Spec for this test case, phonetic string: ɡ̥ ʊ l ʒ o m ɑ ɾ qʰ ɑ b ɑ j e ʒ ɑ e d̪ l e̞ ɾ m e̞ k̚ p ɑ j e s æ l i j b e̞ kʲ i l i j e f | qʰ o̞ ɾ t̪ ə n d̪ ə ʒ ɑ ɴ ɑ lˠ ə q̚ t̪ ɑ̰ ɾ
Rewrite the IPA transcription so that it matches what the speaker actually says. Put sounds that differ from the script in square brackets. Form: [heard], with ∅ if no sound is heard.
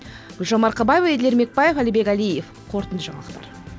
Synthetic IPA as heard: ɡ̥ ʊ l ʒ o m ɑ ɾ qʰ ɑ b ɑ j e [v] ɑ e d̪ l e̞ ɾ m e̞ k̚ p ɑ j e [f] æ l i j b e̞ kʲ [æ] l i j e f | qʰ o̞ ɾ t̪ ə n d̪ ə ʒ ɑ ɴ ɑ lˠ ə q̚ t̪ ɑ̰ ɾ